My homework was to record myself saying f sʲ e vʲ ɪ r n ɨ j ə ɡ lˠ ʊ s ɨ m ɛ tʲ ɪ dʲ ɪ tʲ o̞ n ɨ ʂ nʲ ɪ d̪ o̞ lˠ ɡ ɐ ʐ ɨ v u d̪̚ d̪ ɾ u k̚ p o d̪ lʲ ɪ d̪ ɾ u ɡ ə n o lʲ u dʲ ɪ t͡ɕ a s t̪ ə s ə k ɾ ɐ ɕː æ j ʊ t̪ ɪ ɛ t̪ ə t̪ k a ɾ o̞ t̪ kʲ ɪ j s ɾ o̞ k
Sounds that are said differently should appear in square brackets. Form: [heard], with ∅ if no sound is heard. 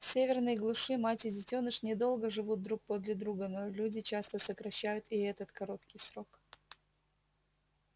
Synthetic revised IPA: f sʲ e vʲ ɪ r n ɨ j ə ɡ lˠ ʊ [ʂ] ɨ m [a] tʲ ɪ dʲ ɪ tʲ o̞ n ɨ ʂ nʲ ɪ d̪ o̞ lˠ ɡ [ə] ʐ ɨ v u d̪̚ d̪ ɾ u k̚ p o d̪ lʲ ɪ d̪ ɾ u ɡ ə n o lʲ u dʲ ɪ t͡ɕ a s t̪ ə s ə k ɾ ɐ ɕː æ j ʊ t̪ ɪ ɛ t̪ ə t̪ k [ɐ] ɾ o̞ t̪ kʲ ɪ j s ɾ o̞ k

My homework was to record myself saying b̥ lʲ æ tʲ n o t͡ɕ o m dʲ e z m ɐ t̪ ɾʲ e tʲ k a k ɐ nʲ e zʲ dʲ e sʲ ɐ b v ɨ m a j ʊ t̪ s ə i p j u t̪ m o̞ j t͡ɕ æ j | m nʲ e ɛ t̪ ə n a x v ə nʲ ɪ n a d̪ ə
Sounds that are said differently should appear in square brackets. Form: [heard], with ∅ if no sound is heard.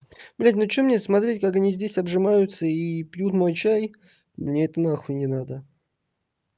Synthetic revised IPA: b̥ lʲ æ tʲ n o t͡ɕ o m [nʲ] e [s] m ɐ t̪ ɾʲ e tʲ k a k ɐ nʲ [i] zʲ dʲ e sʲ ɐ b [ʐ] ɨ m a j ʊ t̪ s ə i p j u t̪ m o̞ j t͡ɕ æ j | m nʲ e ɛ t̪ ə n a x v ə nʲ ɪ n a d̪ ə

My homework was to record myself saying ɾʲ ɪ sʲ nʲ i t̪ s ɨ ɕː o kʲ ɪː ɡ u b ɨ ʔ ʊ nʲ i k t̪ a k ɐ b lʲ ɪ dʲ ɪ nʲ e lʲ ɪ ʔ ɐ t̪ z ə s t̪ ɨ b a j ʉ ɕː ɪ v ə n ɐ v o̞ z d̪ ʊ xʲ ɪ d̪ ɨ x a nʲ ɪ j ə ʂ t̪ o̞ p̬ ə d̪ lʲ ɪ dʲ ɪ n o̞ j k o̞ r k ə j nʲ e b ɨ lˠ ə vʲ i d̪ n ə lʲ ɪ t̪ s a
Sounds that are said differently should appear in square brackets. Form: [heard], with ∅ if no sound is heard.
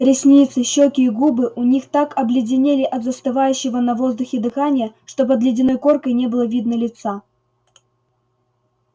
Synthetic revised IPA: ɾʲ ɪ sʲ nʲ i t̪ s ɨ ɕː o kʲ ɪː ɡ u b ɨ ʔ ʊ nʲ i [x] t̪ a k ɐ b lʲ ɪ dʲ ɪ nʲ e lʲ ɪ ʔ ɐ t̪ z ə s t̪ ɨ [v] a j ʉ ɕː ɪ v ə n ɐ v o̞ z d̪ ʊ xʲ ɪ d̪ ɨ x a nʲ ɪ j ə ʂ t̪ o̞ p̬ ə d̪ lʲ ɪ dʲ ɪ n o̞ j k o̞ r k ə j nʲ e b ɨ lˠ ə vʲ i d̪ n ə lʲ ɪ t̪ s a

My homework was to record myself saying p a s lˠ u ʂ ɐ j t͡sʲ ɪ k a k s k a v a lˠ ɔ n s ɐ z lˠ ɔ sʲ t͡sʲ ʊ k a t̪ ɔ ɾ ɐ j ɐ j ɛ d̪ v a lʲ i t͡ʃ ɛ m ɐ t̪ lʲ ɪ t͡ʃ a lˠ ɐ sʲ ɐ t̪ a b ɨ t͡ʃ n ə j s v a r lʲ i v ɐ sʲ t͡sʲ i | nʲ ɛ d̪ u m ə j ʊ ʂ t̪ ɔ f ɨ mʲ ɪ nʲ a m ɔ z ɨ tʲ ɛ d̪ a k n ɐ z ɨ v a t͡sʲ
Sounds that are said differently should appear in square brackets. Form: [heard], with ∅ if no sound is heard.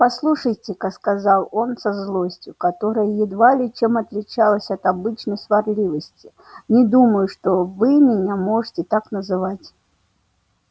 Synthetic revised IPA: p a s lˠ u ʂ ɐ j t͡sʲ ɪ k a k s k a [z] a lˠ ɔ n s ɐ z lˠ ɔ sʲ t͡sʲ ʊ k a t̪ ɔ ɾ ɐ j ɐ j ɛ d̪ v a lʲ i t͡ʃ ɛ m ɐ t̪ lʲ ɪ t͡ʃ a lˠ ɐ sʲ ɐ t̪ a b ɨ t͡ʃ n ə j s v a r lʲ i v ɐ sʲ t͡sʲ i | nʲ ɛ d̪ u m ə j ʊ ʂ t̪ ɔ [v] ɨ mʲ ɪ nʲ a m ɔ [ʐ] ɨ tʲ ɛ [t̪] a k n ɐ z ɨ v a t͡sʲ

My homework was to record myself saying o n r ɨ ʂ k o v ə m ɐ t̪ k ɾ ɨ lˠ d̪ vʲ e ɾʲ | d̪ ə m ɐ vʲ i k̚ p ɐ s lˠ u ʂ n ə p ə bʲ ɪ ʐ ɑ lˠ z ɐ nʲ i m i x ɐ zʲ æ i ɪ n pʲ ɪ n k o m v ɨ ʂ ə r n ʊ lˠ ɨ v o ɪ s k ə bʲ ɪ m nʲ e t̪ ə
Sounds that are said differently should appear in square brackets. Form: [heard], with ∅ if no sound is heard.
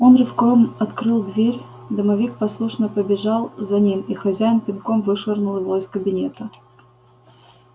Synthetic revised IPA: o n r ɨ [f] k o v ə m ɐ t̪ k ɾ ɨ lˠ d̪ vʲ e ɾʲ | d̪ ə m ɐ vʲ i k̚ p ɐ s lˠ u ʂ n ə p ə bʲ ɪ ʐ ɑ lˠ z ɐ nʲ i m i x ɐ zʲ æ [j] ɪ n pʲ ɪ n k o m v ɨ ʂ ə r n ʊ lˠ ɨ v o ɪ s k ə bʲ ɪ [∅] nʲ e t̪ ə

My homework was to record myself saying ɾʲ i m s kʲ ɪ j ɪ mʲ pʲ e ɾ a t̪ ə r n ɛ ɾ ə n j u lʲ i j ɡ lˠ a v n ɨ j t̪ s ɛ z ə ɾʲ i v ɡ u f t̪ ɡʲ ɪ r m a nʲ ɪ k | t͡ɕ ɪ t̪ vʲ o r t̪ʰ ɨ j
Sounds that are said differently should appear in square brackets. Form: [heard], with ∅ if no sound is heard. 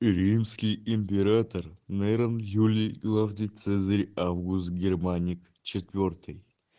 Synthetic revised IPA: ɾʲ i m s kʲ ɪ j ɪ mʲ pʲ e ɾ a t̪ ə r n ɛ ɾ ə n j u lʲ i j ɡ lˠ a v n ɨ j t̪ s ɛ z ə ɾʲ [a] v ɡ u [s] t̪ ɡʲ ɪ r m a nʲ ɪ k | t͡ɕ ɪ t̪ vʲ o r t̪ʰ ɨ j

